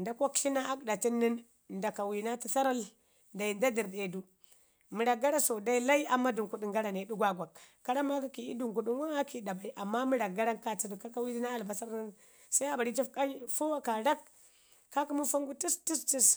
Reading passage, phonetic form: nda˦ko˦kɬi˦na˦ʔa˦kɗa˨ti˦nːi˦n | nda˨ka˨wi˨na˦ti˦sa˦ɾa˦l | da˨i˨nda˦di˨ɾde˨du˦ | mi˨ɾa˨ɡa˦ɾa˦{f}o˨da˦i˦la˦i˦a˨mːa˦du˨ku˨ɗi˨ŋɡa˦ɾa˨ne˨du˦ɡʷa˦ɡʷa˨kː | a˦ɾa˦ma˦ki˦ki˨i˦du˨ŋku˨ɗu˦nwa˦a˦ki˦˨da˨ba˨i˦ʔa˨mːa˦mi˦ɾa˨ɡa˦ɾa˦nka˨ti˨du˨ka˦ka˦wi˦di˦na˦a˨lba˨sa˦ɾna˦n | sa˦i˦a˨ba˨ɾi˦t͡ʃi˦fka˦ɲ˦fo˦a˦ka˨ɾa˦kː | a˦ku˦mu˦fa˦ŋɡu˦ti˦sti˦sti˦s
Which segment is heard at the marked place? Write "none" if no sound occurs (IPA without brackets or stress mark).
s